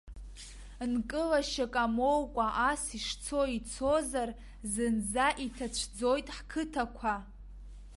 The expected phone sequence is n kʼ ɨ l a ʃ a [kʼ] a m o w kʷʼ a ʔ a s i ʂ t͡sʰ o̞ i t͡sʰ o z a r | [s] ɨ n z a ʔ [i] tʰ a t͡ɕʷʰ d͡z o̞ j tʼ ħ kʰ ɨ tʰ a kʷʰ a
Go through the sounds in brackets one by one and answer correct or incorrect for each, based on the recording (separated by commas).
correct, incorrect, correct